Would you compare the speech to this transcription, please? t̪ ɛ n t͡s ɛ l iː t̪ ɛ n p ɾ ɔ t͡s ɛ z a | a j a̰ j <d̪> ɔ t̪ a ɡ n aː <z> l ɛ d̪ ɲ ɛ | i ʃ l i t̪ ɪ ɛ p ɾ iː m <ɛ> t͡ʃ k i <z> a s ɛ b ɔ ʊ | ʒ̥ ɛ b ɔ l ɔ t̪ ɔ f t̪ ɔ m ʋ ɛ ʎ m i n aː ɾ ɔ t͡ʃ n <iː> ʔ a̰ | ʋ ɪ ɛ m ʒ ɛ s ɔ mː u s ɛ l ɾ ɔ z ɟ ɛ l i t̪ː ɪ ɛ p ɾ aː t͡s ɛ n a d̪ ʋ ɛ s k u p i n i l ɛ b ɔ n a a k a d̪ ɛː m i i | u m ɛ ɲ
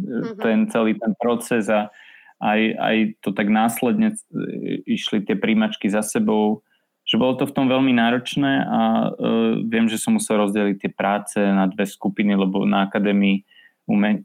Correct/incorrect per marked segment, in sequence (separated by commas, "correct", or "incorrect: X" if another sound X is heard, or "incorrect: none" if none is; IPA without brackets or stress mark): incorrect: t̪, incorrect: s, incorrect: a, correct, incorrect: ɛː